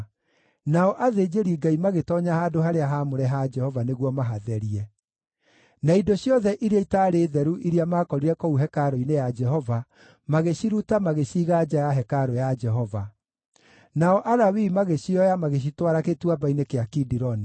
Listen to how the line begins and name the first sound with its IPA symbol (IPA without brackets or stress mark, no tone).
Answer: n